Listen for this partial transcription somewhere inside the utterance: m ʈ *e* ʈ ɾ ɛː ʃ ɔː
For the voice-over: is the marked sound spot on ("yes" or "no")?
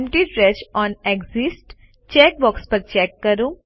no